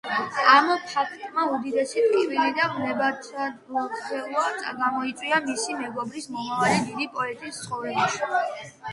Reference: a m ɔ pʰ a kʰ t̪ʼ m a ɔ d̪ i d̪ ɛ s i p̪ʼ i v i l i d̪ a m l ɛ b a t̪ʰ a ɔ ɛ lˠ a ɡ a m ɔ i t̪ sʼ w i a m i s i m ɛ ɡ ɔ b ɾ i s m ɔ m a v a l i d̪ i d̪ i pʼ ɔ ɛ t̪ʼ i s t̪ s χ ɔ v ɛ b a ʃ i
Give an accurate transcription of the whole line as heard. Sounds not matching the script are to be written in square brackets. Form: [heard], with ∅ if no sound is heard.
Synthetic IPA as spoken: a m ɔ pʰ a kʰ t̪ʼ m a [u] d̪ i d̪ ɛ s i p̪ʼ i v i l i d̪ a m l ɛ b a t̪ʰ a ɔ ɛ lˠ a ɡ a m ɔ i t̪ sʼ w i a m i s i m ɛ ɡ ɔ b ɾ i s m ɔ m a v a l i d̪ i d̪ i pʼ ɔ ɛ t̪ʼ i s t̪ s χ ɔ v ɛ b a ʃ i

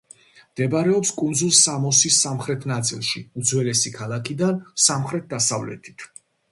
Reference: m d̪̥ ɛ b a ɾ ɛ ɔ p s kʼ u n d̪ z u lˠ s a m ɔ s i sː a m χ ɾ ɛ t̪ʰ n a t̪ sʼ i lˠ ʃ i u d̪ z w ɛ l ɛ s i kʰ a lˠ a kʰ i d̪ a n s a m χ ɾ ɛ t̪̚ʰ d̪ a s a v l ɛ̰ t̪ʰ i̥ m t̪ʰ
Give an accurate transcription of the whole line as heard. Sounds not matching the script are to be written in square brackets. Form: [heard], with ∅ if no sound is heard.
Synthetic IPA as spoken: m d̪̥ ɛ b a ɾ ɛ ɔ p s kʼ u n d̪ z u lˠ s a m ɔ s i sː a m χ ɾ ɛ t̪ʰ n a t̪ sʼ i lˠ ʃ i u d̪ z w ɛ l ɛ s i kʰ a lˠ a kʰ i d̪ a n s a m χ ɾ ɛ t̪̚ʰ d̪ a s a v l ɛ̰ t̪ʰ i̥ [∅] t̪ʰ

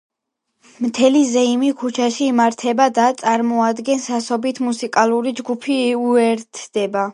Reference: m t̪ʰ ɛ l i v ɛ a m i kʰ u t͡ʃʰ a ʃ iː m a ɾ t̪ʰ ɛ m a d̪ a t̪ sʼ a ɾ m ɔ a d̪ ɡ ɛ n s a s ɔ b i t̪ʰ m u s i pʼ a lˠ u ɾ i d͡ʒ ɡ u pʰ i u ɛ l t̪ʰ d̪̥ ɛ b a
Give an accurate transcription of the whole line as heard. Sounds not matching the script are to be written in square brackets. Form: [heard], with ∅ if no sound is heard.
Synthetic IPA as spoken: m t̪ʰ ɛ l i [z] ɛ [i] m i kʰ u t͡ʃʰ a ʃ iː m a ɾ t̪ʰ ɛ [b] a d̪ a t̪ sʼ a ɾ m ɔ a d̪ ɡ ɛ n s a s ɔ b i t̪ʰ m u s i [kʼ] a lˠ u ɾ i d͡ʒ ɡ u pʰ i u ɛ [ɾ] t̪ʰ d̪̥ ɛ b a

